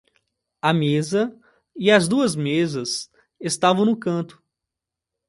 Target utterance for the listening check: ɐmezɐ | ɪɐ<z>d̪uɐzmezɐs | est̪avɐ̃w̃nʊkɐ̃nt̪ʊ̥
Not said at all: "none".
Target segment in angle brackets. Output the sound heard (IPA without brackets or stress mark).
z